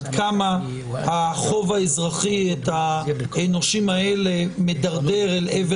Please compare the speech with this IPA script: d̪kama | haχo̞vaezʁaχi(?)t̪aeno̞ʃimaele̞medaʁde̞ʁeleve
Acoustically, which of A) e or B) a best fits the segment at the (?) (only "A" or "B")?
A